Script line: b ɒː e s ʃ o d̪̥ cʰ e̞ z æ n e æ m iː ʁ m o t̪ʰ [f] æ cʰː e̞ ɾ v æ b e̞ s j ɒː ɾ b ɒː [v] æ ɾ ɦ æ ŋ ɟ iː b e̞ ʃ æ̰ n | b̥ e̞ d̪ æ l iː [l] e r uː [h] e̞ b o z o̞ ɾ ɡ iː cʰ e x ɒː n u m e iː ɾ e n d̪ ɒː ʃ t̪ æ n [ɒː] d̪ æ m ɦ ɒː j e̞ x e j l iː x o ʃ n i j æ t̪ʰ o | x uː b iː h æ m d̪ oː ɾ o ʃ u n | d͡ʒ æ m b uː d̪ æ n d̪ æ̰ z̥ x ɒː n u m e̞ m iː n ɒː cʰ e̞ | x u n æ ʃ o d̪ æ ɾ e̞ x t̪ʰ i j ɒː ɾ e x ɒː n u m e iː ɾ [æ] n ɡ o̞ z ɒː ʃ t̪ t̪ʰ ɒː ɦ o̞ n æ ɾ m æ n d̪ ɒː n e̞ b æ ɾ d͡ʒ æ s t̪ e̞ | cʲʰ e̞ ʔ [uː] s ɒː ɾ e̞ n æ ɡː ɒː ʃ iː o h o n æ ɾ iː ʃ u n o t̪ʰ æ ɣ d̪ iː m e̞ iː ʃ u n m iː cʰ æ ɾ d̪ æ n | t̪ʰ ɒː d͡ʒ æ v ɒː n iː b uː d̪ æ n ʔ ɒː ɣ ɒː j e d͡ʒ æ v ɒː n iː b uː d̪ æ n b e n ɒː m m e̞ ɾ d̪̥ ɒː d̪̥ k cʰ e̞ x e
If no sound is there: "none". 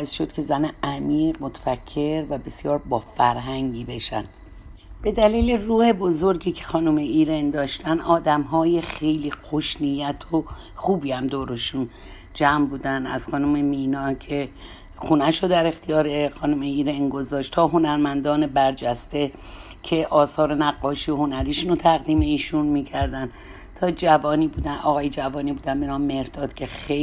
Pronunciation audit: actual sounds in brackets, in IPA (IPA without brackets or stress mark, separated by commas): f, f, l, h, ɒː, e, ɒː